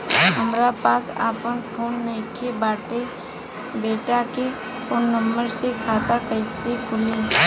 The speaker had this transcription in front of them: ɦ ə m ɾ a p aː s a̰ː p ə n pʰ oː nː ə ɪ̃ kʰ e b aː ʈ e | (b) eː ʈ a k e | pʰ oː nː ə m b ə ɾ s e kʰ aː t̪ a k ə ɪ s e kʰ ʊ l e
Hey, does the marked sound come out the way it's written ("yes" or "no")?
yes